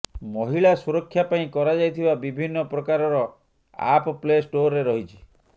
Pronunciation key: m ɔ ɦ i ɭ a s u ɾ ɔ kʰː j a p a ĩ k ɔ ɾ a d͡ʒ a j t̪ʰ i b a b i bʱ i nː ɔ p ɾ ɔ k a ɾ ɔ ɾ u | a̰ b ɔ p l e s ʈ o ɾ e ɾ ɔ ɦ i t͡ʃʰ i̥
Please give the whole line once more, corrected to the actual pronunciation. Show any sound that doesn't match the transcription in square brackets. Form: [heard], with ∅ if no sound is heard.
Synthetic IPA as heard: m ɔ ɦ i ɭ a s u ɾ ɔ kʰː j a p a ĩ k ɔ ɾ a d͡ʒ a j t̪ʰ i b a b i bʱ i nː ɔ p ɾ ɔ k a ɾ ɔ ɾ [ɔ] | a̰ [p] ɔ p l e s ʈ o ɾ e ɾ ɔ ɦ i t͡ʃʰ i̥

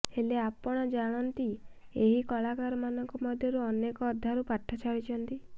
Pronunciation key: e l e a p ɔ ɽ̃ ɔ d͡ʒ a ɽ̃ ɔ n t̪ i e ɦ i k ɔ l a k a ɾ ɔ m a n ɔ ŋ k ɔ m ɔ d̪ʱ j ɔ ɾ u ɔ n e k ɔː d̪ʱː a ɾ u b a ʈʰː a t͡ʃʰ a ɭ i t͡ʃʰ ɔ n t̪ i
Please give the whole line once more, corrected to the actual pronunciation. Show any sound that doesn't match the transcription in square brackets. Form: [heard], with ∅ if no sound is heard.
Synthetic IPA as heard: e l e a p ɔ ɽ̃ ɔ d͡ʒ a ɽ̃ ɔ n t̪ i e ɦ i k ɔ l a k a ɾ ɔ m a n ɔ ŋ k ɔ m ɔ d̪ʱ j ɔ ɾ u ɔ n e k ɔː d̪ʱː a ɾ u [p] a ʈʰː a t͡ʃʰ a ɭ i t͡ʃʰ ɔ n t̪ i

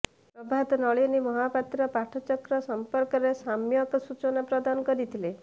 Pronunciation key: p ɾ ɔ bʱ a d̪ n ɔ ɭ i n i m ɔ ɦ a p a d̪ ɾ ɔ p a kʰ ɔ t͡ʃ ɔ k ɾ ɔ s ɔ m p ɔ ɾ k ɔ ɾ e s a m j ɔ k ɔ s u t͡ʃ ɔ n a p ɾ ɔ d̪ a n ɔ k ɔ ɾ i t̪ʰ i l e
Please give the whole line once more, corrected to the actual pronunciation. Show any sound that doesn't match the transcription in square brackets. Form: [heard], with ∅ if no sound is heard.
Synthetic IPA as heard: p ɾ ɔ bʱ a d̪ n ɔ ɭ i n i m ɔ ɦ a p a [t̪] ɾ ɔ p a [ʈʰ] ɔ t͡ʃ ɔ k ɾ ɔ s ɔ m p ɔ ɾ k ɔ ɾ e s a m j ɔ k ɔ s u t͡ʃ ɔ n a p ɾ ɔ d̪ a n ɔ k ɔ ɾ i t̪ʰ i l e

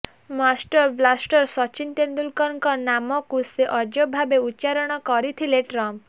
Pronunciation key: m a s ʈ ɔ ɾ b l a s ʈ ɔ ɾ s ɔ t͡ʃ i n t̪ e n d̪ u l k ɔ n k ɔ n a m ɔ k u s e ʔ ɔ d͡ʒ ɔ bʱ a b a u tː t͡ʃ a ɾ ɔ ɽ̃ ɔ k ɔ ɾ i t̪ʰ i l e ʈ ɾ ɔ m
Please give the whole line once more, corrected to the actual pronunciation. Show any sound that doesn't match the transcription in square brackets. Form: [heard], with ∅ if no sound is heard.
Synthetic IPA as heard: m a s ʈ ɔ ɾ b l a s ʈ ɔ ɾ s ɔ t͡ʃ i n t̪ e n d̪ u l k ɔ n k ɔ n a m ɔ k u s e ʔ ɔ d͡ʒ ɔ bʱ a b [e] u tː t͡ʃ a ɾ ɔ ɽ̃ ɔ k ɔ ɾ i t̪ʰ i l e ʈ ɾ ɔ m

